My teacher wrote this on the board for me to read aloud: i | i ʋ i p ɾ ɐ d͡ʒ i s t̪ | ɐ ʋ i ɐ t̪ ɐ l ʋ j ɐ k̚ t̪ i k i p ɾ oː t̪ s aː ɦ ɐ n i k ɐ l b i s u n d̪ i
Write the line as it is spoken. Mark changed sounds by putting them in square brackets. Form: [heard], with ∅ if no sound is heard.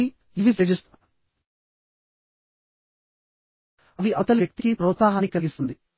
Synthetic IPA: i | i ʋ i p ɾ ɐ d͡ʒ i s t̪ | ɐ ʋ i ɐ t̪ ɐ l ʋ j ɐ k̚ t̪ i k i p ɾ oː t̪ s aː ɦ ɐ n i k ɐ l [ɡ] i s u n d̪ i